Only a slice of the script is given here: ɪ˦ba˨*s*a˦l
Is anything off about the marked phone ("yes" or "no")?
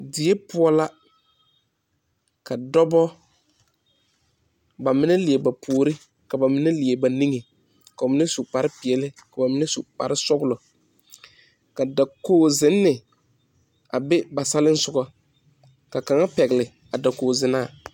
no